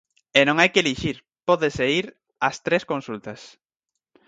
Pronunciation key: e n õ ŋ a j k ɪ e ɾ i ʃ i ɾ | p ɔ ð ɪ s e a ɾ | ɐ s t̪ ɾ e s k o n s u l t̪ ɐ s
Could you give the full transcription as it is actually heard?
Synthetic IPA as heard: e n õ ŋ a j k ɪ e l i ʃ i ɾ | p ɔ ð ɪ s e i ɾ | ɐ s t̪ ɾ e s k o n s u l t̪ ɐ s

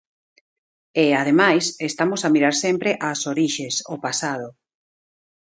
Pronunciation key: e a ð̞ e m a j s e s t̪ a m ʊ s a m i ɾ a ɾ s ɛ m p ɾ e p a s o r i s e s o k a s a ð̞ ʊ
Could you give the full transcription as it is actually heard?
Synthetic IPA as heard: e a ð̞ e m a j s e s t̪ a m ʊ s a m i ɾ a ɾ s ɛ m p ɾ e ʔ a s o ɾ i ʃ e s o p a s a ð̞ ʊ

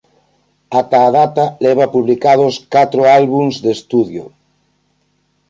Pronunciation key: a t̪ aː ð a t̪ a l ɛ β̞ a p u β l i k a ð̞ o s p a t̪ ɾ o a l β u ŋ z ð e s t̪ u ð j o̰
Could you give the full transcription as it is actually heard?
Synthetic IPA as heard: a t̪ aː ð a t̪ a l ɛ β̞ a p u β l i k a ð̞ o s k a t̪ ɾ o a l β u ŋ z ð e s t̪ u ð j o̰

